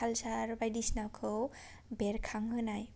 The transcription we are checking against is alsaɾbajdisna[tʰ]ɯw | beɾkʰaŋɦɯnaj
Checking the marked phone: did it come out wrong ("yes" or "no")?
yes